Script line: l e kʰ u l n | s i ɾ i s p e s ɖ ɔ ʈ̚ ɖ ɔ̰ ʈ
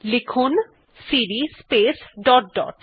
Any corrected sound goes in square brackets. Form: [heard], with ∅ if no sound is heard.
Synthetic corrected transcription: l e kʰ u [∅] n | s i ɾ i s p e s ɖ ɔ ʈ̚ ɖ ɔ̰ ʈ